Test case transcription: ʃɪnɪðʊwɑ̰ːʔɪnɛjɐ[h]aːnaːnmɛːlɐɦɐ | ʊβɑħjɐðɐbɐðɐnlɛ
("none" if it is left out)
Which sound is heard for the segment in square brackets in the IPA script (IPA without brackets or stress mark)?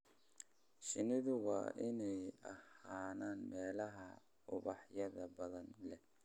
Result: h